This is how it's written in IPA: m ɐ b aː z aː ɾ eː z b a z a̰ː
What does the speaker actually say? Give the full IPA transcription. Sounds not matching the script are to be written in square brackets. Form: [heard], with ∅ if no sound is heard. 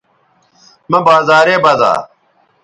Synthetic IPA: m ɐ b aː z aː ɾ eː [∅] b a z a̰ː